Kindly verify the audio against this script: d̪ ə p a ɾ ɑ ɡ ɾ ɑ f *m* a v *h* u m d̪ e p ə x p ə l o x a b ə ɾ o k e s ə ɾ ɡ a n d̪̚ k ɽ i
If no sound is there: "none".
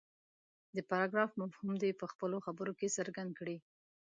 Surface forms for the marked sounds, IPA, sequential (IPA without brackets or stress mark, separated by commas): m, h